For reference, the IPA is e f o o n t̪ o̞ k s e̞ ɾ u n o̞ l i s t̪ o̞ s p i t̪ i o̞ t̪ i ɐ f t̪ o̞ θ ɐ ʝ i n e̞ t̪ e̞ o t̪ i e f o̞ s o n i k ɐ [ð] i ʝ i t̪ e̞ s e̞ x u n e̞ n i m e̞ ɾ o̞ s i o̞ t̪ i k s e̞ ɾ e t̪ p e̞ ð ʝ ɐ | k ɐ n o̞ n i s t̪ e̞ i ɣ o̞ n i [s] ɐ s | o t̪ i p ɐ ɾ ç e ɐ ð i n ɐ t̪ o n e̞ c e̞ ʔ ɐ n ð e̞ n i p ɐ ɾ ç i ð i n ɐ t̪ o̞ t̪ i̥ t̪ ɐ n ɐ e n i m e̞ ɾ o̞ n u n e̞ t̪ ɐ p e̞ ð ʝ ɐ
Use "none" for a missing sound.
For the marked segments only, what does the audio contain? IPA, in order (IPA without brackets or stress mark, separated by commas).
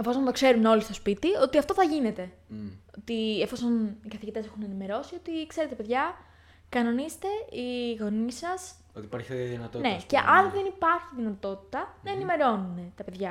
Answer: θ, s